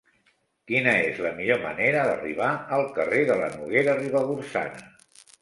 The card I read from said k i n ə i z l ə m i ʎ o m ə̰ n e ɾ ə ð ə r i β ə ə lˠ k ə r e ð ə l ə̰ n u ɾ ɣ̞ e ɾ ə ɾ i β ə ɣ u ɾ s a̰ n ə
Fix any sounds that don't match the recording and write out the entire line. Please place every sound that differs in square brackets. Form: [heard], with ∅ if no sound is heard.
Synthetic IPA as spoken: k i n ə [e] z l ə m i ʎ o m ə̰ n e ɾ ə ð ə r i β [a] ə lˠ k ə r e ð ə l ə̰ n u [∅] ɣ̞ e ɾ ə [r] i β ə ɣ u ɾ s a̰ n ə